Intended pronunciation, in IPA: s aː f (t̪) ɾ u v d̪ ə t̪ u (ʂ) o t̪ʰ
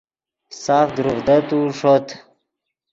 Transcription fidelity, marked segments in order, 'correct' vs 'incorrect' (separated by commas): incorrect, correct